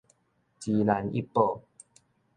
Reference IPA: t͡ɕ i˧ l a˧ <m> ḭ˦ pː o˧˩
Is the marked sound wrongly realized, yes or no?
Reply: yes